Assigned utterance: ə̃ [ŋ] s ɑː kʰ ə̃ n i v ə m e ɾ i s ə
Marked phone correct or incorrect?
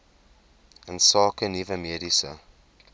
incorrect